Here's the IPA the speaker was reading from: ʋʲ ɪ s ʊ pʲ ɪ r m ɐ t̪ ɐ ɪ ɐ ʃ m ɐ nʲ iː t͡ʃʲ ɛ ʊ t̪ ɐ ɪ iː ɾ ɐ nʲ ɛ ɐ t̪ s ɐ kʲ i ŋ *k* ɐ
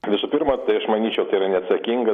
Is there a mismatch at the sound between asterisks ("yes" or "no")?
yes